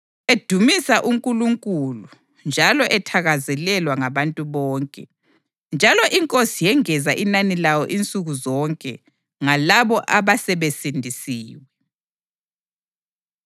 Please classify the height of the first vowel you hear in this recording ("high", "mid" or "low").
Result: mid